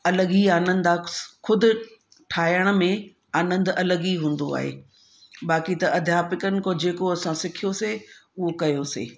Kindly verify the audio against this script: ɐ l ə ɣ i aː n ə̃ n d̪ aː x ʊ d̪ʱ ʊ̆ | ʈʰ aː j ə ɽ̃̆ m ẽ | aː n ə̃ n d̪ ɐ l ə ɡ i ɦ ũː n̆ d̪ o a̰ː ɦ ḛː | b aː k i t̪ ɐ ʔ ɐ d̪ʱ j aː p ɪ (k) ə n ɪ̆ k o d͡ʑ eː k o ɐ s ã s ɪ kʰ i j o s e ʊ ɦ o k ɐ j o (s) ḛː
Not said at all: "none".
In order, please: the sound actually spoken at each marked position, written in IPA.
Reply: k, s

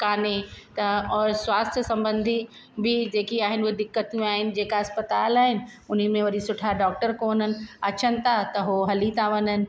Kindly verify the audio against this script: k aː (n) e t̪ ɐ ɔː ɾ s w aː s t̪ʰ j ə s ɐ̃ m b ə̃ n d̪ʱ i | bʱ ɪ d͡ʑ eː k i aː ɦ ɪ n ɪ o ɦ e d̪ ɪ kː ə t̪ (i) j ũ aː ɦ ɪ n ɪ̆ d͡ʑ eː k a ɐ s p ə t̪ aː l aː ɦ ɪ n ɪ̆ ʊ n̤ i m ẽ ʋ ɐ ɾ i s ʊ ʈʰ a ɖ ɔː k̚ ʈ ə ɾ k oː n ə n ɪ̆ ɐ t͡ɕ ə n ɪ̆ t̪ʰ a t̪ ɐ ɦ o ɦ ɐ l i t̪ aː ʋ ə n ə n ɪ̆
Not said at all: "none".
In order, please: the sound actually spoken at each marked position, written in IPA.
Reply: n, i

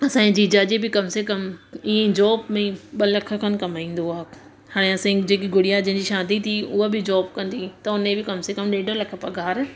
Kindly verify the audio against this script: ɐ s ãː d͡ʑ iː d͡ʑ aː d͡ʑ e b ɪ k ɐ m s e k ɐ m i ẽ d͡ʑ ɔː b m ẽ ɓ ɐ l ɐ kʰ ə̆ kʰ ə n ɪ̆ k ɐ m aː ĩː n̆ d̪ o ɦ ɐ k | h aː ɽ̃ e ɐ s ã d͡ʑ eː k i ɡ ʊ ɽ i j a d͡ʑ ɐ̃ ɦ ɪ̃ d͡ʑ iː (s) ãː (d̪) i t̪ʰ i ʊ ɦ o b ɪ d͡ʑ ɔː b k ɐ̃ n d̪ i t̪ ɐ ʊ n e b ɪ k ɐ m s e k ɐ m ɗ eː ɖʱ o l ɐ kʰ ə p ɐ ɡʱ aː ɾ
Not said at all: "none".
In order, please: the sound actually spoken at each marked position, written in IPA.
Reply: ʃ, d̪

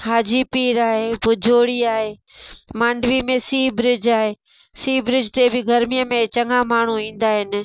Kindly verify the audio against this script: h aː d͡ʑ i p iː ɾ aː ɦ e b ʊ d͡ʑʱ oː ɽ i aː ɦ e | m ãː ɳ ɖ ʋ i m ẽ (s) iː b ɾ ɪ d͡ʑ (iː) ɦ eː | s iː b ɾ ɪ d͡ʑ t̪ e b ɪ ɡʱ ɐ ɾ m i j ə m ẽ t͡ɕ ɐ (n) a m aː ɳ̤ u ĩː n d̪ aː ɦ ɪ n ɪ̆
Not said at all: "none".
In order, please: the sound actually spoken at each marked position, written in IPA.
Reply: s, aː, ŋ

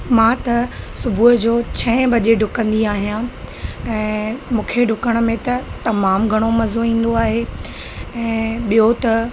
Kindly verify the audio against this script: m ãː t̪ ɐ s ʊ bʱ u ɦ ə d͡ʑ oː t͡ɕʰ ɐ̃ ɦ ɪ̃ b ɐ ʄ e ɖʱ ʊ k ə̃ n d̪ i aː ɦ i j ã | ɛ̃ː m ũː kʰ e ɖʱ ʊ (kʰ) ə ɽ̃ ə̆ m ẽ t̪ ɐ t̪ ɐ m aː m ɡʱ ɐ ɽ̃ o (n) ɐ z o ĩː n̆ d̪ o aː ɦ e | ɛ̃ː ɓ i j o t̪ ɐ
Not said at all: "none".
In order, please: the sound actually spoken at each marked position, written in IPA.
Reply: k, m

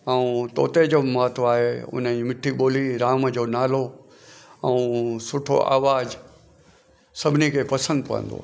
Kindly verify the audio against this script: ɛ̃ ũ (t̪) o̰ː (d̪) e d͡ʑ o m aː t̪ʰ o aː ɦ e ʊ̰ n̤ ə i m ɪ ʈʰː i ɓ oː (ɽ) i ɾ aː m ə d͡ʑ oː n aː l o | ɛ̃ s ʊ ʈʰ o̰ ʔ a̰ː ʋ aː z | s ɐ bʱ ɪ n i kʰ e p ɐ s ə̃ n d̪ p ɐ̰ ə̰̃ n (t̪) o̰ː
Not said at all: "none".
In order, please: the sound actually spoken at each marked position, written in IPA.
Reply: t̪, t̪, l, d̪

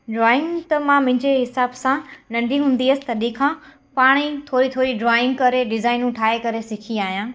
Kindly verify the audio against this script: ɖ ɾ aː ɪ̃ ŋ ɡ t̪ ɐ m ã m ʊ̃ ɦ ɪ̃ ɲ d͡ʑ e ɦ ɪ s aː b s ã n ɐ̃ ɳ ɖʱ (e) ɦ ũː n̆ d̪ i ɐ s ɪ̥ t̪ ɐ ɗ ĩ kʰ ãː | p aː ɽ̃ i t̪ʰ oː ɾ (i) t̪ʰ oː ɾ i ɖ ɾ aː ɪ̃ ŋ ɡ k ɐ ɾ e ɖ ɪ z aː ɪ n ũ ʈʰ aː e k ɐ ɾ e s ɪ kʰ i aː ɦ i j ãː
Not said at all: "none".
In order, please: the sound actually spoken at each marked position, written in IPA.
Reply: i, i

